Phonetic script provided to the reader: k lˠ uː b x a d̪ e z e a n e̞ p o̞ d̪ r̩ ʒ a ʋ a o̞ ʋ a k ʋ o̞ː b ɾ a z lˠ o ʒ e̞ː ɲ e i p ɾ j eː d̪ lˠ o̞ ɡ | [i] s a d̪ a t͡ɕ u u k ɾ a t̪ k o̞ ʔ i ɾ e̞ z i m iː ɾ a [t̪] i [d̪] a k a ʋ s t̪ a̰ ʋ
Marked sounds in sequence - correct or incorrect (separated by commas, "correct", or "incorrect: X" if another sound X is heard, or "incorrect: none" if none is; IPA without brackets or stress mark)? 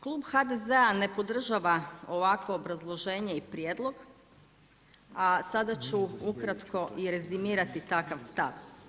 incorrect: a, correct, incorrect: t̪